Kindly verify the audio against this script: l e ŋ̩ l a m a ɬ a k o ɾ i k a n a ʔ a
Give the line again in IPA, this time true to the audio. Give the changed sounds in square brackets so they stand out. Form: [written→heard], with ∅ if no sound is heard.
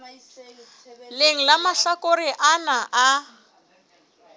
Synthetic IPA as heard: l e ŋ̩ l a m a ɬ a k o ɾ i [k→ʔ] a n a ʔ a